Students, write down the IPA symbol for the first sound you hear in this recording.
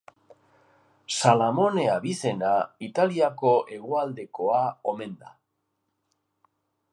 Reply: s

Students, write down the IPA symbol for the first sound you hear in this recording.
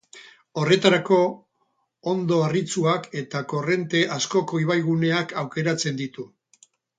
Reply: o̞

